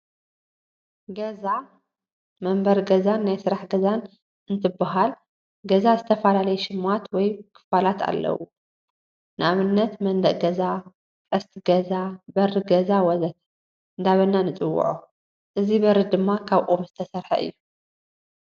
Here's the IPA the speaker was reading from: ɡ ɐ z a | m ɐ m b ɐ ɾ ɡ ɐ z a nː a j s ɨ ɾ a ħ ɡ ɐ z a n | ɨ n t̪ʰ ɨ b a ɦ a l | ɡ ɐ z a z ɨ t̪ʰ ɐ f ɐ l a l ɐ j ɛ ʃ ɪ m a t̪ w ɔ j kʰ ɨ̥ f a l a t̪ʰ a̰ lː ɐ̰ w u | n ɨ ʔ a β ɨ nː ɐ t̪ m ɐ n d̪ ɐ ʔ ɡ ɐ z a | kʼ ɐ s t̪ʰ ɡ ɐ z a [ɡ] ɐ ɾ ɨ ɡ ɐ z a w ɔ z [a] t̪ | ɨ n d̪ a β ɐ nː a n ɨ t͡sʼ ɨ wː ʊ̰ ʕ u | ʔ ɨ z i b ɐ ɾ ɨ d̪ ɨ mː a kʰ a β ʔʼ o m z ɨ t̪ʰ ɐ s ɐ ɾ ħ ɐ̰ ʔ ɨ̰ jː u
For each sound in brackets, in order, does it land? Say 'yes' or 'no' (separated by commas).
no, no